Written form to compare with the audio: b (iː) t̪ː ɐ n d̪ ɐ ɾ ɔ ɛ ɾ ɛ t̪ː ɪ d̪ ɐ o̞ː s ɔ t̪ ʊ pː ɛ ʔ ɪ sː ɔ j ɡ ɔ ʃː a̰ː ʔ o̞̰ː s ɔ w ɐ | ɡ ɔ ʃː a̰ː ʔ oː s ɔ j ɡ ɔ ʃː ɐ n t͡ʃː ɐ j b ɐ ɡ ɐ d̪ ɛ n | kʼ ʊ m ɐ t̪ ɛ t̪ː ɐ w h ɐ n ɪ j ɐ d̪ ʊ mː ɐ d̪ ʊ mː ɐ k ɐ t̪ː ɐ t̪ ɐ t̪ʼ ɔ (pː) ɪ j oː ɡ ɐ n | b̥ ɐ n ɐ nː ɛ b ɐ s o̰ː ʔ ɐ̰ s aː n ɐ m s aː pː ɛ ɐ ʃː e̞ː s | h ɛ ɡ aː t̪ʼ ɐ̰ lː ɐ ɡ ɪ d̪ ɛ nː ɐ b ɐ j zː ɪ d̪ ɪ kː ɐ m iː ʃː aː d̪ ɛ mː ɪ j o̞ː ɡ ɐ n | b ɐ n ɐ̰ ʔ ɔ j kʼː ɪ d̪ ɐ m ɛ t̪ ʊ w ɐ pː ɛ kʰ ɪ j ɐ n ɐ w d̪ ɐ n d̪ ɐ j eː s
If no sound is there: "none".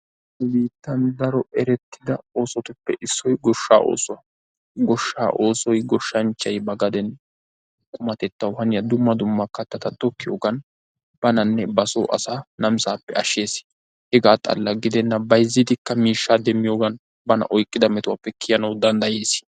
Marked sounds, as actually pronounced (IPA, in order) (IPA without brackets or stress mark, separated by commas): iː, kː